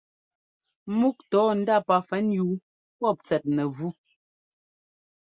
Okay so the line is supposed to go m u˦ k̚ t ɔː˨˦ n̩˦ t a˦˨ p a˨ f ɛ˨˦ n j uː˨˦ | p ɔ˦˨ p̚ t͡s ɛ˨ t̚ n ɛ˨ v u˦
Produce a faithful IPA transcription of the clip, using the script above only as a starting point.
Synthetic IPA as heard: m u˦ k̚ t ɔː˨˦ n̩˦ d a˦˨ p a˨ f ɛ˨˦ n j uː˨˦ | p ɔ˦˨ p̚ t͡s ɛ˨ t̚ n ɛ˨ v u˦